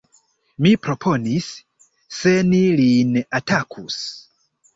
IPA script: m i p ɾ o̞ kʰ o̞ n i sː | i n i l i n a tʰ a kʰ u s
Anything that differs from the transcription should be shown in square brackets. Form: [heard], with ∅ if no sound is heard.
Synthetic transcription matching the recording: m i p ɾ o̞ [pʰ] o̞ n i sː | [e] n i l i n a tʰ a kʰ u s